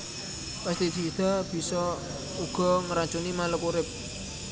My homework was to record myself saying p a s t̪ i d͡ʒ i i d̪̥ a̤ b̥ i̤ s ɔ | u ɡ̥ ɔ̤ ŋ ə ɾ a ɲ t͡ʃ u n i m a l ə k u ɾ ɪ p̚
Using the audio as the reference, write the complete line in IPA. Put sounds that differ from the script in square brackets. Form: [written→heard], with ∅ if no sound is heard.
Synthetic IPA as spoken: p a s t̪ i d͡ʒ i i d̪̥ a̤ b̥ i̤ s ɔ | u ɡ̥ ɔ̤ ŋ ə ɾ a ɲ t͡ʃ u n i m a l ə k u ɾ ɪ p̚